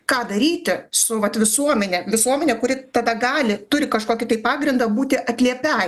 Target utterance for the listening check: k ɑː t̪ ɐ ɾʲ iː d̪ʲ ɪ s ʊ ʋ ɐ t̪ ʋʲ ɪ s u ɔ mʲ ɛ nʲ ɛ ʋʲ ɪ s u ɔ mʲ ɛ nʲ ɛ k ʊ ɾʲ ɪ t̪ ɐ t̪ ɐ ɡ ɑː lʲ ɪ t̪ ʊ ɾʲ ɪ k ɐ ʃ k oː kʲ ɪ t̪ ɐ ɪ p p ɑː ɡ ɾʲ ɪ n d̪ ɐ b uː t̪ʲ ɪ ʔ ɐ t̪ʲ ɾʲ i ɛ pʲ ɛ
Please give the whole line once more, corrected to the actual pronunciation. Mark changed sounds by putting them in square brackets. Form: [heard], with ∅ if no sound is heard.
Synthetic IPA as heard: k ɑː [d̪] ɐ ɾʲ iː [t̪ʲ] ɪ s ʊ ʋ ɐ t̪ ʋʲ ɪ s u ɔ mʲ ɛ nʲ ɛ ʋʲ ɪ s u ɔ mʲ ɛ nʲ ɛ k ʊ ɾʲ ɪ t̪ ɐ [d̪] ɐ ɡ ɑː lʲ ɪ t̪ ʊ ɾʲ ɪ k ɐ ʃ k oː kʲ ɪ t̪ ɐ ɪ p p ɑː ɡ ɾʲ ɪ n d̪ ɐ b uː t̪ʲ ɪ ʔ ɐ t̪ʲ [lʲ] i ɛ pʲ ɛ